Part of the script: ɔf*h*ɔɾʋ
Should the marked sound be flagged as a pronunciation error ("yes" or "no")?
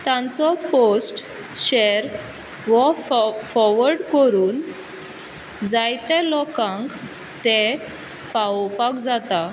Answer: yes